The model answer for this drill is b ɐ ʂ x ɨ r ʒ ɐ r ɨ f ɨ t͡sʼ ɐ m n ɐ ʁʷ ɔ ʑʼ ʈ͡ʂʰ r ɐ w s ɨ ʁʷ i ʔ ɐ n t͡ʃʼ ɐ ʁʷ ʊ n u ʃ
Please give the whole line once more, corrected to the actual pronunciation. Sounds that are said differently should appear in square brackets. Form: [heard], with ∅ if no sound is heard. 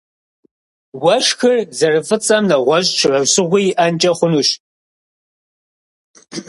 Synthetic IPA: [w] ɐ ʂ x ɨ r [z] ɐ r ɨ f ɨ t͡sʼ ɐ m n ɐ ʁʷ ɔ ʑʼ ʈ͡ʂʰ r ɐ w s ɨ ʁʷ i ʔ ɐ n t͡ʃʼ ɐ [χʷ] ʊ n u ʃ